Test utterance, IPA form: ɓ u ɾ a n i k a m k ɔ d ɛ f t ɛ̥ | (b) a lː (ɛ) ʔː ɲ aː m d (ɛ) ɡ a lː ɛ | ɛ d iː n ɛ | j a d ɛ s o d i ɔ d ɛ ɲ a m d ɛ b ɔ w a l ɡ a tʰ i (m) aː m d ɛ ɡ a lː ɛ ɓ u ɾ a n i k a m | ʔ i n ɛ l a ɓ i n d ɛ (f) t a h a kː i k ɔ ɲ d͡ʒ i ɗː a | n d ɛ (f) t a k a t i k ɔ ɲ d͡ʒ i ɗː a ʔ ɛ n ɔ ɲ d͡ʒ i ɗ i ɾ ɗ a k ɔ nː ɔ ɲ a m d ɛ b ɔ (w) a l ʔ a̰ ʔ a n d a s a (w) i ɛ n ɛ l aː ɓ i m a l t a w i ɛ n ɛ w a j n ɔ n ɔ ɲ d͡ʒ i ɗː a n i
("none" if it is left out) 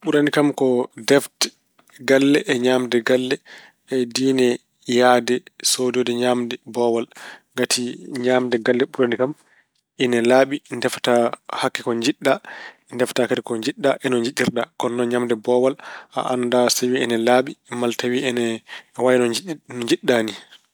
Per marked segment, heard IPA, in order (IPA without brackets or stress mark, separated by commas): ɡ, ɛ, ɛ, ɲ, f, f, w, w